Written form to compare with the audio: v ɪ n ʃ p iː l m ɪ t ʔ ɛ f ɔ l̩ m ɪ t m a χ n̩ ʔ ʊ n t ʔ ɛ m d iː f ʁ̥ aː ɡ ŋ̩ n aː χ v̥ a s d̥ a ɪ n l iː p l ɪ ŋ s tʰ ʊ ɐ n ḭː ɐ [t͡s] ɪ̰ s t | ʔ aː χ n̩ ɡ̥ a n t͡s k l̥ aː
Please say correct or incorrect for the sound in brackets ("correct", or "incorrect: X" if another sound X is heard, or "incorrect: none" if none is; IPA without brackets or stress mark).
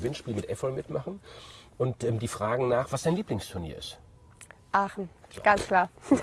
incorrect: none